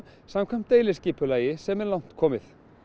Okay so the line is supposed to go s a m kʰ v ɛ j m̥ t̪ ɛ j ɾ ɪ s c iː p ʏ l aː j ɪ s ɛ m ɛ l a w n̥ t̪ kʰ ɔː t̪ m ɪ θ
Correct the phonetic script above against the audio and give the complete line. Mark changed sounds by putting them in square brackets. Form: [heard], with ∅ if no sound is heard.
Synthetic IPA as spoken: s a m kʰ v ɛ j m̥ t̪ [e] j [l] ɪ s c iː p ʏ l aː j ɪ s ɛ m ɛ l a w n̥ t̪ kʰ ɔː [∅] m ɪ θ